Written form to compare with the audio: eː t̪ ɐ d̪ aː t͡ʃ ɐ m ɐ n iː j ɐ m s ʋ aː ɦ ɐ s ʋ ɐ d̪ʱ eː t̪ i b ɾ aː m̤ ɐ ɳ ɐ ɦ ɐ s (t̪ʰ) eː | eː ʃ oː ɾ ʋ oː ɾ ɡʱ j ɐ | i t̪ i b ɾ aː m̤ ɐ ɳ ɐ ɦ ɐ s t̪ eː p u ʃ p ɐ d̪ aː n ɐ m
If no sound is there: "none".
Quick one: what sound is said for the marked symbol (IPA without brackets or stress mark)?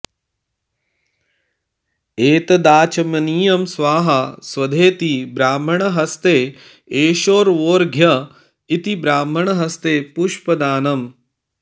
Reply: t̪